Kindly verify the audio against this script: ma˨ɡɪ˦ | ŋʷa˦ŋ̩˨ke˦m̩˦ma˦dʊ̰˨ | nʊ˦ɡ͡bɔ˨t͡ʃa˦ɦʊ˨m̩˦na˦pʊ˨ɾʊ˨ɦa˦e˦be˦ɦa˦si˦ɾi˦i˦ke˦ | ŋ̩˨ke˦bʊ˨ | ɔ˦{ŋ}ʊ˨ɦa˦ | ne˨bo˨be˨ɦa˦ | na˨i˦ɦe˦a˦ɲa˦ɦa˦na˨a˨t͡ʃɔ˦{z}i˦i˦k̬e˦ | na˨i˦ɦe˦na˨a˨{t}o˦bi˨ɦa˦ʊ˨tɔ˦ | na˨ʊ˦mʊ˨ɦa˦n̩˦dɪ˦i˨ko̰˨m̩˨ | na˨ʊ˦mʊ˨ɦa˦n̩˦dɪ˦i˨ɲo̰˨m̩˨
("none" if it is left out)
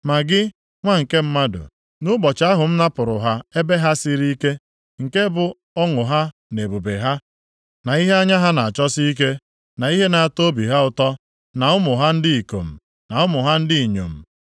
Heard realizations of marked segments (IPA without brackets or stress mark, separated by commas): ŋ, s, t